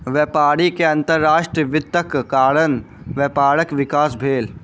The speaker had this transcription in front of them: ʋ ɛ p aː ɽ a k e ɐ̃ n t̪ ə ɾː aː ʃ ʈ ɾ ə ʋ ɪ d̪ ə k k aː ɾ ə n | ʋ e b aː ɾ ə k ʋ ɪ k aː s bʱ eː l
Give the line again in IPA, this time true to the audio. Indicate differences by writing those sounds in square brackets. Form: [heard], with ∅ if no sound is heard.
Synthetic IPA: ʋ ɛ p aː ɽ [i] k e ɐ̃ n t̪ ə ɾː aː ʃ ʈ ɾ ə ʋ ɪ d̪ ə k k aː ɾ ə n | ʋ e [p] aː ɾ ə k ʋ ɪ k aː s bʱ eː l